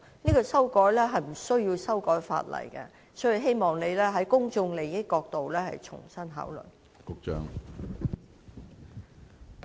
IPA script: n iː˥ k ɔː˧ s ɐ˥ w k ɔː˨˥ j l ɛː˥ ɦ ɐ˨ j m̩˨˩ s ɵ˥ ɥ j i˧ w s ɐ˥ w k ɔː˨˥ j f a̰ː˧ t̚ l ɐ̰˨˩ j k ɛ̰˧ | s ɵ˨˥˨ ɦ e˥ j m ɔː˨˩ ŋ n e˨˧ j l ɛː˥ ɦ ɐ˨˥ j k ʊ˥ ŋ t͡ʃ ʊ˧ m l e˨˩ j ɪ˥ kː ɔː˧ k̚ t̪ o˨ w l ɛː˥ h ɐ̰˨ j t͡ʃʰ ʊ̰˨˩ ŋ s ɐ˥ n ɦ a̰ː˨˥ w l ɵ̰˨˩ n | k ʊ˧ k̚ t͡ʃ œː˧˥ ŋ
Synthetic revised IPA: n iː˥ k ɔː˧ s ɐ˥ w k ɔː˨˥ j l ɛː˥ ɦ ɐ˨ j m̩˨˩ s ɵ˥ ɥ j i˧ w s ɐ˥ w k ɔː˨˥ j f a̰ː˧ t̚ l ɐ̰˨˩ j k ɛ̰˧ | s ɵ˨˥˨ ɦ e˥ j m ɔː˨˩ ŋ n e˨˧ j l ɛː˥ ɦ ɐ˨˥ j k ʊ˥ ŋ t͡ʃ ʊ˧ ŋ l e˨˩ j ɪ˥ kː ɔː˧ k̚ t̪ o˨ w l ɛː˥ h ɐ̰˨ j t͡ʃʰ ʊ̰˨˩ ŋ s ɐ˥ n ɦ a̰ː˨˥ w l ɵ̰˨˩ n | k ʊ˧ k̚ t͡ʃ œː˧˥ ŋ